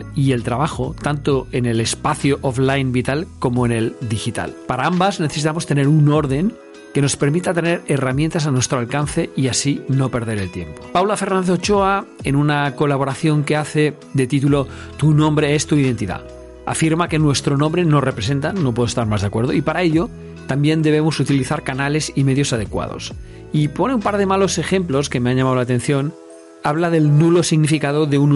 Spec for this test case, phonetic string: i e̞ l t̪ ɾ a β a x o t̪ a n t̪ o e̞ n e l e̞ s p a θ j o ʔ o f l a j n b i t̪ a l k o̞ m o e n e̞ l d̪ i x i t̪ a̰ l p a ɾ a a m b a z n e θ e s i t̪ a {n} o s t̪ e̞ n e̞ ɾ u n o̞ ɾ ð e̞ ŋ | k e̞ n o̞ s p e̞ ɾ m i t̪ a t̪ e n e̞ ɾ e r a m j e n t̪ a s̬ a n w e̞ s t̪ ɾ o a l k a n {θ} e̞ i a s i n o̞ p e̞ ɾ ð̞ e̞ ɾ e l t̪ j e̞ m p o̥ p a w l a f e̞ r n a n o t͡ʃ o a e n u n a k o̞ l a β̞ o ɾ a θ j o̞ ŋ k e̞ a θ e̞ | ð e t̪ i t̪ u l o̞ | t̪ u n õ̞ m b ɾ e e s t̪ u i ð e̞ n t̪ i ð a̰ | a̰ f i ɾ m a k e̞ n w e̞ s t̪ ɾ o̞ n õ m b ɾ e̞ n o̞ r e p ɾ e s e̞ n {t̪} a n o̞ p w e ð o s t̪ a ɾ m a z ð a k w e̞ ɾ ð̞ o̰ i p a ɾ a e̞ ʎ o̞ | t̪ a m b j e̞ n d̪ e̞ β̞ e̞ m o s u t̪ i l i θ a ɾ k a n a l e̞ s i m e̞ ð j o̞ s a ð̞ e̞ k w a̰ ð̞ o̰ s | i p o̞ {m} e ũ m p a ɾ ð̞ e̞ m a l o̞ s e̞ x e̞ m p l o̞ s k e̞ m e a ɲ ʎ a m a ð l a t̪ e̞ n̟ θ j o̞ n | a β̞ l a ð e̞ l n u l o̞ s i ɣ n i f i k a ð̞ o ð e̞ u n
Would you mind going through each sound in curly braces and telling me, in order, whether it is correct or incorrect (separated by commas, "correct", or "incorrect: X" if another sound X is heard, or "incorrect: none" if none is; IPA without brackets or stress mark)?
incorrect: m, correct, correct, incorrect: n